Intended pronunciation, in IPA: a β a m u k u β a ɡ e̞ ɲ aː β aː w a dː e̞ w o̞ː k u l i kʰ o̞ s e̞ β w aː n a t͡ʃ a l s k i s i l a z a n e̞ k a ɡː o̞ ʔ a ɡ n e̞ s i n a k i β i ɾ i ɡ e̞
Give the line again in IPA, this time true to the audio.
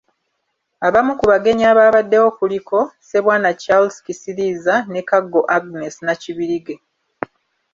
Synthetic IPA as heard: a β a m u k u β a ɡ e̞ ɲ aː β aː β a dː e̞ w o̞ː k u l i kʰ o̞ s e̞ β w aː n a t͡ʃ a l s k i s i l i z a n e̞ k a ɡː o̞ ʔ a ɡ n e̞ s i n a c i β i ɾ i ɡ e̞